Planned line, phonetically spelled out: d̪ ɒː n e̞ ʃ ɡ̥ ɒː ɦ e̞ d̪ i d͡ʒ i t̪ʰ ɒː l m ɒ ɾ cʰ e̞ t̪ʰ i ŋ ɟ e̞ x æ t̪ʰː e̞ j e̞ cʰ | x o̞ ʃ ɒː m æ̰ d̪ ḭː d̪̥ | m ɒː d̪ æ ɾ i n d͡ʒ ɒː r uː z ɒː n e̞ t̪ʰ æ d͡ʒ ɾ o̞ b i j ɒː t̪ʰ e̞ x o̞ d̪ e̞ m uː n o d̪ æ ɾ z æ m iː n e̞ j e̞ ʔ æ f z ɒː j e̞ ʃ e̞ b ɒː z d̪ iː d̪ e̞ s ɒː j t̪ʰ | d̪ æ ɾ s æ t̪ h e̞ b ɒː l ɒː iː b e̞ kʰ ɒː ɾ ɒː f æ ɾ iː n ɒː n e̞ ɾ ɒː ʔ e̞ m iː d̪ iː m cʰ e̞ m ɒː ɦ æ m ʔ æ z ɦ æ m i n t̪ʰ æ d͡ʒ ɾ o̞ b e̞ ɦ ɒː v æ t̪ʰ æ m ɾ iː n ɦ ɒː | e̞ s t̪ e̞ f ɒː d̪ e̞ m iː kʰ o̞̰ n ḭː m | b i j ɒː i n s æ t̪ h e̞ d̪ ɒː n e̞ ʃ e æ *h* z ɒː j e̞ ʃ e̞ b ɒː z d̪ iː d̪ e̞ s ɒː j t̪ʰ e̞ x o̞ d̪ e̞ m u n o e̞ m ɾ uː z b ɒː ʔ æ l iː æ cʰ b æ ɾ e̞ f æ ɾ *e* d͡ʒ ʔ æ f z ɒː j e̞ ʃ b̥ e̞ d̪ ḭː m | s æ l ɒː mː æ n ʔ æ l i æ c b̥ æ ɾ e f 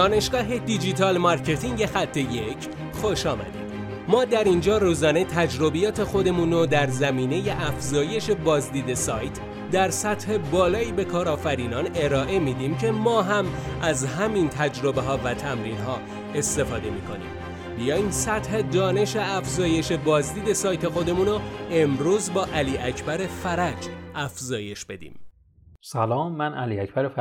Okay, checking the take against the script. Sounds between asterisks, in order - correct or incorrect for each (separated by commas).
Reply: incorrect, incorrect